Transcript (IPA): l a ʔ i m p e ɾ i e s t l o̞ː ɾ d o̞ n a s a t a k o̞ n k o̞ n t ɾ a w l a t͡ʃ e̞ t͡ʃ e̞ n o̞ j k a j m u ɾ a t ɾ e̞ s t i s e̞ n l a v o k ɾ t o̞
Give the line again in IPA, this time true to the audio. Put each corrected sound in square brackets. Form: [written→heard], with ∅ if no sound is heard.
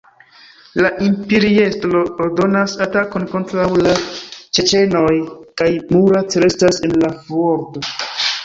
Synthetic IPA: l a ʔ i m p e ɾ i e s t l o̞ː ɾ d o̞ n a s a t a k o̞ n k o̞ n t ɾ a w l a t͡ʃ e̞ t͡ʃ e̞ n o̞ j k a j m u ɾ a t ɾ e̞ s t [i→a] s e̞ n l a v o [k→∅] ɾ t o̞